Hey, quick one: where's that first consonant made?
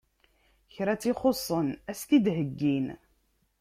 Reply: palate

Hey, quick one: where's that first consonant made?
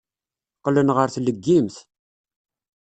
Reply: uvula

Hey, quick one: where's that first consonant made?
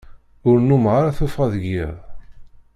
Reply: tongue tip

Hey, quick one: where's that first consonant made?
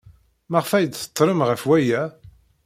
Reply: lips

